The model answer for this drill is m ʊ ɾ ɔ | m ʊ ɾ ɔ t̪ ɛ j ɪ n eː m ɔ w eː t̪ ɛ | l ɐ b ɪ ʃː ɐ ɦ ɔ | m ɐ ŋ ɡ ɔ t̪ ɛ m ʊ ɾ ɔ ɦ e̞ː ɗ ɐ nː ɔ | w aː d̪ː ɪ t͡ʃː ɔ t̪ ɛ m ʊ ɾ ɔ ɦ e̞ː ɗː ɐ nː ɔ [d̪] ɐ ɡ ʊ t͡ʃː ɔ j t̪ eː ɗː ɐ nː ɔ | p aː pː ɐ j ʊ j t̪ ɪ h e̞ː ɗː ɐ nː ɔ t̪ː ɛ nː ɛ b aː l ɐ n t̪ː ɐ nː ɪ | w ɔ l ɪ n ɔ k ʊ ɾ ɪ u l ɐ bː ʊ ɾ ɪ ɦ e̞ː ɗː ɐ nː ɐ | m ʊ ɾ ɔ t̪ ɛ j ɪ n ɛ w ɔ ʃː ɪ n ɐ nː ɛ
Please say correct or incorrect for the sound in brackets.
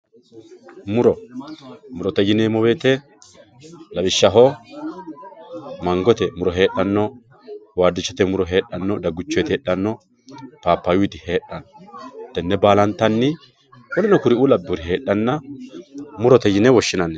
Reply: correct